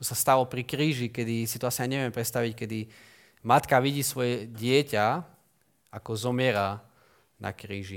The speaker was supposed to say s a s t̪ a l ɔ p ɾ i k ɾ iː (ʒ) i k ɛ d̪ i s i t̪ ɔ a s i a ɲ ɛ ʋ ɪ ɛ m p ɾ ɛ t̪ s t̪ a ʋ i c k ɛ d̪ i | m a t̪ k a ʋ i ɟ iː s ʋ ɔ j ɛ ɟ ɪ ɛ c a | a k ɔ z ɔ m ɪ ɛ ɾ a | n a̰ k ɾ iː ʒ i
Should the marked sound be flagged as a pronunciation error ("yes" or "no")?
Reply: no